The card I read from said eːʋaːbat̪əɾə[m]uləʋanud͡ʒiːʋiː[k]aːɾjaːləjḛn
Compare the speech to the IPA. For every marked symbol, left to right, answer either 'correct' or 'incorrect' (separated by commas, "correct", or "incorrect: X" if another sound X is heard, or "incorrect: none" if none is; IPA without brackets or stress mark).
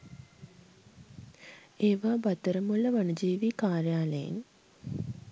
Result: correct, correct